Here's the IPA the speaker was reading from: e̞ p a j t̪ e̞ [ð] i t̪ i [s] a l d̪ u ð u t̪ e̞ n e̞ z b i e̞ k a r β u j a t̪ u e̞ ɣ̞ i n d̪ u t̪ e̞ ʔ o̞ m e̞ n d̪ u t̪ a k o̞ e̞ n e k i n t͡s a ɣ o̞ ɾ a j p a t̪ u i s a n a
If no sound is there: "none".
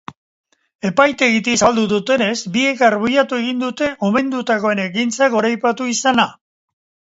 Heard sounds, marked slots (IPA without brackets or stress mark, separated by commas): ɣ, s